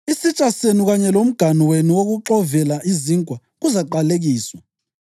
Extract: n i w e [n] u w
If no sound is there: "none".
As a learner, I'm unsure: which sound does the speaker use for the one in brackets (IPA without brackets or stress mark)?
n